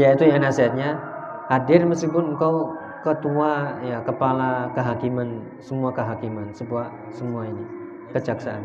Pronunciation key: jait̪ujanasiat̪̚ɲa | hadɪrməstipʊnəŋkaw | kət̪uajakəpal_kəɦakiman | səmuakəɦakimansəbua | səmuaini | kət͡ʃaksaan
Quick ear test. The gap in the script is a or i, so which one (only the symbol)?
a